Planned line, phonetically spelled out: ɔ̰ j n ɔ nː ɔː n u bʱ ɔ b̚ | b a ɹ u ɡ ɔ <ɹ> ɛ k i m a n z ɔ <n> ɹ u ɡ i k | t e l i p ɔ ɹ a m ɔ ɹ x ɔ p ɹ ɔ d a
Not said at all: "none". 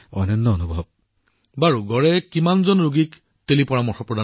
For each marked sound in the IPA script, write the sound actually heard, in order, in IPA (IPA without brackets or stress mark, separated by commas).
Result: ɹ, n